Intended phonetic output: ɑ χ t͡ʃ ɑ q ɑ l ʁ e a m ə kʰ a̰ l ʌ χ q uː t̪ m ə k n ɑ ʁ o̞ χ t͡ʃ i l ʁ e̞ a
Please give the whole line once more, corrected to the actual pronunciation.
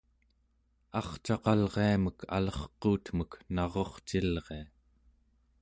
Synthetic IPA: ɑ χ t͡ʃ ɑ q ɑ l ʁ e a m ə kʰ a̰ l ʌ χ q uː t̪ m ə k n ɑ ʁ o̞ χ t͡ʃ i l ʁ e̞ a